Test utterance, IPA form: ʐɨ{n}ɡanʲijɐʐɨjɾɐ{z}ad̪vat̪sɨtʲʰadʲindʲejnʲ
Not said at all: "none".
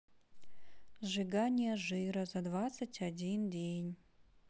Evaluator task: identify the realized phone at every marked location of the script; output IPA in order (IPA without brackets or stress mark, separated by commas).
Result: none, z